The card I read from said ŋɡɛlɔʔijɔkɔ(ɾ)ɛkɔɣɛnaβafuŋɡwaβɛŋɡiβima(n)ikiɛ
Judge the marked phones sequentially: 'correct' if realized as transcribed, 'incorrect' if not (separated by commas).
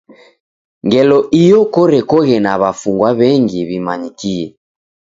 correct, incorrect